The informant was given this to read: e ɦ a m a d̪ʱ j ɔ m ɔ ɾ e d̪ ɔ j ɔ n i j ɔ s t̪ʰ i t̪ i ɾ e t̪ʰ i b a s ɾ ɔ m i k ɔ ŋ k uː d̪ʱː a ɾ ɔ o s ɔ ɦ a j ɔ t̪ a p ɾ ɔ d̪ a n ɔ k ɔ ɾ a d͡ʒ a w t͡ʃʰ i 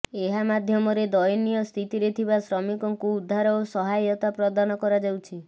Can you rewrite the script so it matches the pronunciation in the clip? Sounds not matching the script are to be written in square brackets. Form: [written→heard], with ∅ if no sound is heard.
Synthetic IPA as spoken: e ɦ a m a d̪ʱ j ɔ m ɔ ɾ e d̪ ɔ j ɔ n i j ɔ s t̪ʰ i t̪ i ɾ e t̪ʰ i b a s ɾ ɔ m i k ɔ ŋ k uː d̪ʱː a ɾ ɔ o s ɔ ɦ a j ɔ t̪ a p ɾ ɔ d̪ a n ɔ k ɔ ɾ a d͡ʒ a w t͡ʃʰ i